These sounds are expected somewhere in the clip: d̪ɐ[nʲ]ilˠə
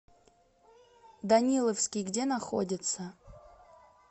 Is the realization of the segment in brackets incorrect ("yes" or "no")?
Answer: no